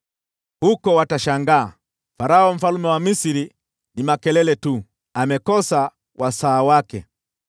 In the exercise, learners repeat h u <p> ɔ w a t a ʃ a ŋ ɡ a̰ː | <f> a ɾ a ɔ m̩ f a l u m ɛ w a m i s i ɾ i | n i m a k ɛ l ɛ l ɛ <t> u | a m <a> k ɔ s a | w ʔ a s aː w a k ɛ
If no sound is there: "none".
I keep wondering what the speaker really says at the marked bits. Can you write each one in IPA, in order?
k, f, t, ɛ

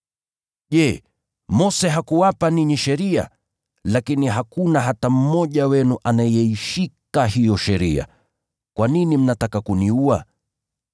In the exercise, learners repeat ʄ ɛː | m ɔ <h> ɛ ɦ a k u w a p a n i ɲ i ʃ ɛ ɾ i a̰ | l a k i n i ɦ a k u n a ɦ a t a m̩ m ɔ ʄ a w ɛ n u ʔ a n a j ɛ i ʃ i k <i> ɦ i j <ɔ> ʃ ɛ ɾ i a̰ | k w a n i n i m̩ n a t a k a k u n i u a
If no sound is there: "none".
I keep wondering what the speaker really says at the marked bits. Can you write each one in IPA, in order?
s, a, ɔ

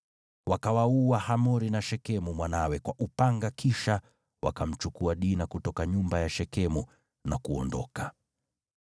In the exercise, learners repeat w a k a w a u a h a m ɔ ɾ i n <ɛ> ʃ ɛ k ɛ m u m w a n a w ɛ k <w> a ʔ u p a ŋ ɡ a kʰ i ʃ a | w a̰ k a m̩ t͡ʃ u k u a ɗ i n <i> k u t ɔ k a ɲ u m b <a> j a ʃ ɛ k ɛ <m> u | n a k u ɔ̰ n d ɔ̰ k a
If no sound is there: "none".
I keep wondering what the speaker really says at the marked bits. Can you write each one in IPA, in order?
a, w, a, a, m

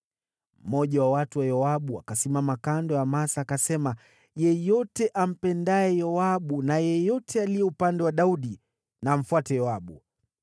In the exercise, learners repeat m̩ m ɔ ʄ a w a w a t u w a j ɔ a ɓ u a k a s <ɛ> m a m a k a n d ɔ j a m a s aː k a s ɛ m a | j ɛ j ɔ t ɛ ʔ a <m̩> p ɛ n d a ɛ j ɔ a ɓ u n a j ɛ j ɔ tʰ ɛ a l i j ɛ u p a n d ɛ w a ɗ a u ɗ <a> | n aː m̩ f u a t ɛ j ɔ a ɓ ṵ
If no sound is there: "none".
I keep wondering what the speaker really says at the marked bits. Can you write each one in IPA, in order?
i, m̩, i

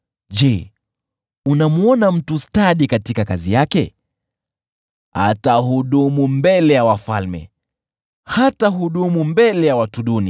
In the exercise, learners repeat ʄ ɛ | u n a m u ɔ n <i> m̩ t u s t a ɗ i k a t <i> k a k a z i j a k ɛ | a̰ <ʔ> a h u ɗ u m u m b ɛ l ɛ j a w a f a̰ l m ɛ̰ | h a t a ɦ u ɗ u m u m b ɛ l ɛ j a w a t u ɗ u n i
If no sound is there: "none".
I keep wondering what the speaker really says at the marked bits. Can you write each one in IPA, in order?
a, i, t

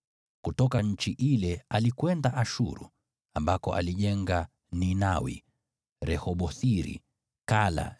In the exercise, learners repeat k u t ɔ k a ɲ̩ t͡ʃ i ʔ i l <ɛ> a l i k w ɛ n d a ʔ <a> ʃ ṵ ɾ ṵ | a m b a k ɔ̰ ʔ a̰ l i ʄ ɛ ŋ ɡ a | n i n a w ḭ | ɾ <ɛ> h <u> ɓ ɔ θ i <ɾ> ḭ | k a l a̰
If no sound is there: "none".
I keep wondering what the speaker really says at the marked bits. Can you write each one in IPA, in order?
ɛ, a, ɛ, ɔ, ɾ

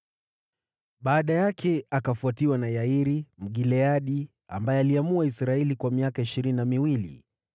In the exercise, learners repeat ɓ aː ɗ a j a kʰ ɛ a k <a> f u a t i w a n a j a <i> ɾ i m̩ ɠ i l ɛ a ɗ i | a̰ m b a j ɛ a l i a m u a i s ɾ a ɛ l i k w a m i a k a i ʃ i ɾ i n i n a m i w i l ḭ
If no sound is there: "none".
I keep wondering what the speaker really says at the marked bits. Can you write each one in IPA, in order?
a, i

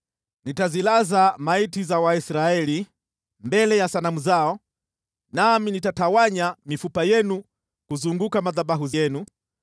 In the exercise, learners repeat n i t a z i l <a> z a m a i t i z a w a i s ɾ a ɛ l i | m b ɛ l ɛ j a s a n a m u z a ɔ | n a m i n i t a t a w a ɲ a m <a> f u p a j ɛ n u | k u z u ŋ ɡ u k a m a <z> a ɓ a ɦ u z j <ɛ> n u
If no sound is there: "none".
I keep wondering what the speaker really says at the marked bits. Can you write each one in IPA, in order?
a, i, ð, ɛ

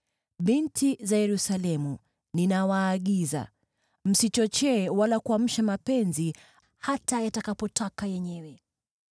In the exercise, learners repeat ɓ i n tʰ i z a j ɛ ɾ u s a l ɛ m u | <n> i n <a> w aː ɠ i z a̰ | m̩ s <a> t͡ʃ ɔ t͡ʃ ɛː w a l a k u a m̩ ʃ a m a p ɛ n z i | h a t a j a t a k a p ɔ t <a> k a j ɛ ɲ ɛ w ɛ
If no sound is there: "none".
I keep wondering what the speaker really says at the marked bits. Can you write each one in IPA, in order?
n, a, i, a

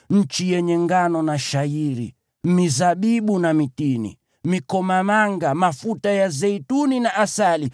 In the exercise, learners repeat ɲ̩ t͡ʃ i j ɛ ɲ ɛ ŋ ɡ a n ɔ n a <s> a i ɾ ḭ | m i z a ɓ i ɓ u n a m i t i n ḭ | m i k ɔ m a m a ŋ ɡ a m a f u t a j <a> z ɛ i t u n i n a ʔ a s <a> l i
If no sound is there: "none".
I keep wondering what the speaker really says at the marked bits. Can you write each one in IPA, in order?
ʃ, a, a

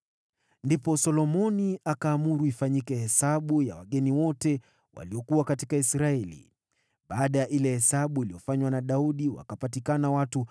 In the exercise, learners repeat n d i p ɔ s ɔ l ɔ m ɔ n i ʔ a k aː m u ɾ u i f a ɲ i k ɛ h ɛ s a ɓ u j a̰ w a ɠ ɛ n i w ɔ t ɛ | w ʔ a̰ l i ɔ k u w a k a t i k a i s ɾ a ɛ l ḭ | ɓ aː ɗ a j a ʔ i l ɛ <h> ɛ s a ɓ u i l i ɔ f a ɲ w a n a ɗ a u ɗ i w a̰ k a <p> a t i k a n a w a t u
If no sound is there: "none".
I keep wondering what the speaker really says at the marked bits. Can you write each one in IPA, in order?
h, p

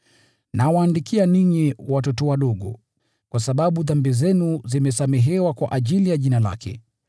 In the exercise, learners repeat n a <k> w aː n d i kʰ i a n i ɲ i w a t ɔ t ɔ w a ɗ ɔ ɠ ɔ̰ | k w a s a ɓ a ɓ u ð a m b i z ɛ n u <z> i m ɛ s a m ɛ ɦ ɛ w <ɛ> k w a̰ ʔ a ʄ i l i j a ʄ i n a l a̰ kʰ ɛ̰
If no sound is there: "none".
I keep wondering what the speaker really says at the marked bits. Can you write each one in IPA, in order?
none, z, a

